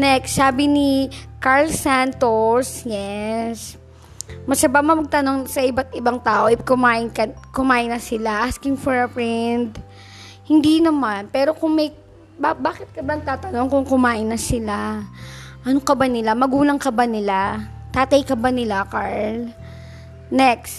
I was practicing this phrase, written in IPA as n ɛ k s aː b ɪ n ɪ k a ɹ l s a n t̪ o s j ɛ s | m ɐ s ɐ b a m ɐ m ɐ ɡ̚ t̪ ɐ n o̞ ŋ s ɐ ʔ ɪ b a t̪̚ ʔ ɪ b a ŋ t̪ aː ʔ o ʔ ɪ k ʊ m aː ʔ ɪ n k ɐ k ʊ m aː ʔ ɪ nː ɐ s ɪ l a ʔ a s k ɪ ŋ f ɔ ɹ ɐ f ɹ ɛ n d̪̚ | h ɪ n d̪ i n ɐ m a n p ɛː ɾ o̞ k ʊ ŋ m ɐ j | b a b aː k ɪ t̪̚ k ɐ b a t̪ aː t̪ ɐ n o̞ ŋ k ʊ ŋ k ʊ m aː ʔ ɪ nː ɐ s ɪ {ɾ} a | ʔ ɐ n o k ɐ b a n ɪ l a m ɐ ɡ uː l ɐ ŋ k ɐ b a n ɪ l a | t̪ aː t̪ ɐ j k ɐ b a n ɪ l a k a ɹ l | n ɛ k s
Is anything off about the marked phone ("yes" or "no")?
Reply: yes